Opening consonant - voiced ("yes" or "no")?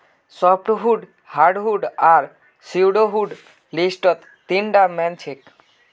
no